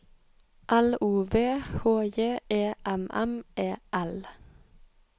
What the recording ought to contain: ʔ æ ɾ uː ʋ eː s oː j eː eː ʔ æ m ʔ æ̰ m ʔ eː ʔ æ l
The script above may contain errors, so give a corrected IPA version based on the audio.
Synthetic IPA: ʔ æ l uː ʋ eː h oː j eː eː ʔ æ m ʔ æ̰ m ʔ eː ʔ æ l